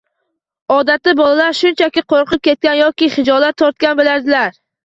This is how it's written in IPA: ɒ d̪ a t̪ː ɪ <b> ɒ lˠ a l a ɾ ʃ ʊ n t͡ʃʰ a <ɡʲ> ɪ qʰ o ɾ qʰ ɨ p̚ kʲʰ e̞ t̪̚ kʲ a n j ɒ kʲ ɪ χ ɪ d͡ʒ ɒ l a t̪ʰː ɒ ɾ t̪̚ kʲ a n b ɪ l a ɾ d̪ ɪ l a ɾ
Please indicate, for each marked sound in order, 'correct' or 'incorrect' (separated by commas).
correct, incorrect